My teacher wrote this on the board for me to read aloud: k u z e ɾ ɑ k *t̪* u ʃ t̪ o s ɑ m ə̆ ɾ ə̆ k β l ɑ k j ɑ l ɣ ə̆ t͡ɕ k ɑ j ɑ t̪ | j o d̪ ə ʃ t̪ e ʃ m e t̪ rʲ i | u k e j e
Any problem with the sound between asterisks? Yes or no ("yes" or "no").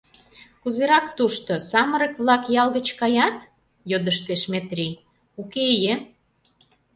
no